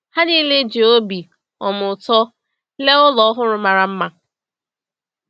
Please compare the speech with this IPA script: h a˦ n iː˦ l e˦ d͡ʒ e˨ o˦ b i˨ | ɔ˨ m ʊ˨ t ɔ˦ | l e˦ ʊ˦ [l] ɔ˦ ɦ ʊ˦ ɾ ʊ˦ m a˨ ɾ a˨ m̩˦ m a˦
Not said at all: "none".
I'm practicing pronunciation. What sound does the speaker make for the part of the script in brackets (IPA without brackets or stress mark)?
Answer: l